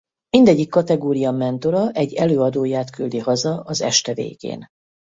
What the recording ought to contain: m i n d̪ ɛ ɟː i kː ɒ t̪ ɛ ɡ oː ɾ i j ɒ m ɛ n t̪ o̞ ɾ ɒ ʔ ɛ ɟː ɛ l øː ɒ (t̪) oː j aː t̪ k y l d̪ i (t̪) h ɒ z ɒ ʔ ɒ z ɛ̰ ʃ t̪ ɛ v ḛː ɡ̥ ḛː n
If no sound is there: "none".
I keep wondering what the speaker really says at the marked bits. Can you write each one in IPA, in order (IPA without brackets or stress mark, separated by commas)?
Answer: d̪, none